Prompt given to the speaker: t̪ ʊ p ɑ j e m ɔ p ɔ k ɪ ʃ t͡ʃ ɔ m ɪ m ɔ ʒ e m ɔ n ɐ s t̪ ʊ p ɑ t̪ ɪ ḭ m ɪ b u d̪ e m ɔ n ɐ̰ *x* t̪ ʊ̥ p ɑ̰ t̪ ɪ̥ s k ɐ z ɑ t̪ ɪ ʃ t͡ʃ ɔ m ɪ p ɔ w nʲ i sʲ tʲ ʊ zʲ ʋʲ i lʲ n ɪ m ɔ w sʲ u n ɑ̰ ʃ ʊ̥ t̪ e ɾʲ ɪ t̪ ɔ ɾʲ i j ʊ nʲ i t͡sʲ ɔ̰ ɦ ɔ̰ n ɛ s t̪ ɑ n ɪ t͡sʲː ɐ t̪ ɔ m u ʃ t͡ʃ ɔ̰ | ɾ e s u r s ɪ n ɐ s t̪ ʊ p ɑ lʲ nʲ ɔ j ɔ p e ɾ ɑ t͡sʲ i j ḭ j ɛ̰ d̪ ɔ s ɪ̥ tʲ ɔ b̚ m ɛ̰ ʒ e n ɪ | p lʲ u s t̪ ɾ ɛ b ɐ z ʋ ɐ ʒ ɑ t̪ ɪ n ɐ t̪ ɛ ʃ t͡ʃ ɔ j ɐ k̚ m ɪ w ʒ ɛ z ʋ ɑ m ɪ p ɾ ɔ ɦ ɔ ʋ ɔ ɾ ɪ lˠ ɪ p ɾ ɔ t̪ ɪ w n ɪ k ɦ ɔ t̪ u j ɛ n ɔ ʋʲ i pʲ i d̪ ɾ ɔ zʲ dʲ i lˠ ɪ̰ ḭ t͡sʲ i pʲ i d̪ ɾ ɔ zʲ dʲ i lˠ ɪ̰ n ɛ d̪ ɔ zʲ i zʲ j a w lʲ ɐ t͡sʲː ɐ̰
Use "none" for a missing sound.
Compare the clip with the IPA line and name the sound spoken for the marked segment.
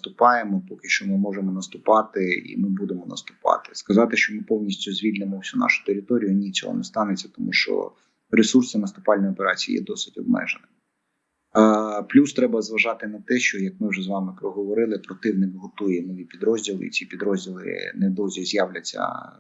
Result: s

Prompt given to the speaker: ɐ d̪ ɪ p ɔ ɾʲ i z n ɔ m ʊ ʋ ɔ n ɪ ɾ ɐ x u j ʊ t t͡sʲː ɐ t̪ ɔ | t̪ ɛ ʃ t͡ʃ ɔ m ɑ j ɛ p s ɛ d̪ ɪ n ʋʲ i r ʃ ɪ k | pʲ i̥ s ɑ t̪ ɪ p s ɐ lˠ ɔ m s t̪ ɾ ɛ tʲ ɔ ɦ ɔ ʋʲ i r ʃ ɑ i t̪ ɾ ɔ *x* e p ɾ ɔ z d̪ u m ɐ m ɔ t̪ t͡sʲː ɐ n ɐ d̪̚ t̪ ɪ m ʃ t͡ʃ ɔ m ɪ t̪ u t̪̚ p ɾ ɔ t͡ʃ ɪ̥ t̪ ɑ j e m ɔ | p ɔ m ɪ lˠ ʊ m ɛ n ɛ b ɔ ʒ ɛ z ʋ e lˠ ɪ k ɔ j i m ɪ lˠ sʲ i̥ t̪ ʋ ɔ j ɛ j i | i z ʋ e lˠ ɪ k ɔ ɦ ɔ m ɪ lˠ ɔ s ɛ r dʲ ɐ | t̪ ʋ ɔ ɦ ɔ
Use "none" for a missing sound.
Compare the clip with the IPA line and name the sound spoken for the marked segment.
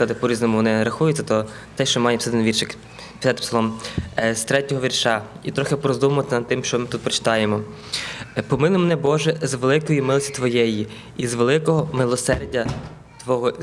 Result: x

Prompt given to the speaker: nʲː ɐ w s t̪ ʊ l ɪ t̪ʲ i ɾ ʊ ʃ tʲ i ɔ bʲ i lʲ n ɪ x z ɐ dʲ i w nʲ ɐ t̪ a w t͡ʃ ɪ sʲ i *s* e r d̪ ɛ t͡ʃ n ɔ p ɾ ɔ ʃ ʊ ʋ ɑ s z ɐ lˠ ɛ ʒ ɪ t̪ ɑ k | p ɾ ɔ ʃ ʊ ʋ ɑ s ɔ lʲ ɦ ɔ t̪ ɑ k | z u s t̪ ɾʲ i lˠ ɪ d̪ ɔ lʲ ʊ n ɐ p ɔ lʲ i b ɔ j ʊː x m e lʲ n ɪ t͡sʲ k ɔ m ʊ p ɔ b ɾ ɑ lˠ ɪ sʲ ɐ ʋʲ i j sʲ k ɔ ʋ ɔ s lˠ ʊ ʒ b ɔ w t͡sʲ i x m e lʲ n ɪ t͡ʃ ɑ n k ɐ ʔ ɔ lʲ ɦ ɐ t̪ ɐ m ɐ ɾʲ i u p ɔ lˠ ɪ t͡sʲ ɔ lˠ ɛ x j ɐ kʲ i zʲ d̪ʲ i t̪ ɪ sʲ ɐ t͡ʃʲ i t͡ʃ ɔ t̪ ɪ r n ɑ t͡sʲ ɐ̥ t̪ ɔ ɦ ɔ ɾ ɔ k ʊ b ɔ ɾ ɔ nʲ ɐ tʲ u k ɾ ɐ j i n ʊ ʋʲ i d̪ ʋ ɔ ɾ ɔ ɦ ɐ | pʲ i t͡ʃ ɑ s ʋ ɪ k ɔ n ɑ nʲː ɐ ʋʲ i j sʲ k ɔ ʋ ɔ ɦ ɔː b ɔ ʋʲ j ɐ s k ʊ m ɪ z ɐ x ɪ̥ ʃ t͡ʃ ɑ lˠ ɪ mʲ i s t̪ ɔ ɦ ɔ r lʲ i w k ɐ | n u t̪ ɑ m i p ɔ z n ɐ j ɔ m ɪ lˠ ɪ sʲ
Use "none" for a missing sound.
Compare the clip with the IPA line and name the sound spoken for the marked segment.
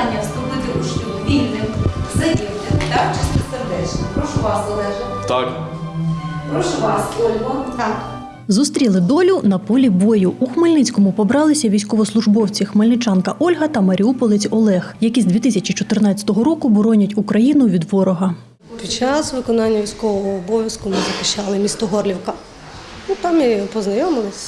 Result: s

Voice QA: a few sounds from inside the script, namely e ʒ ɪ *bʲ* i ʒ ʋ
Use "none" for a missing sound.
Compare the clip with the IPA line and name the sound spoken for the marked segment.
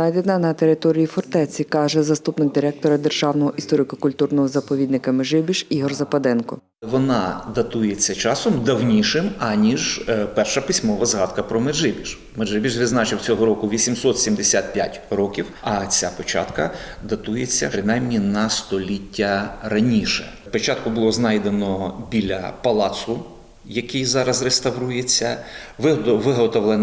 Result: bʲ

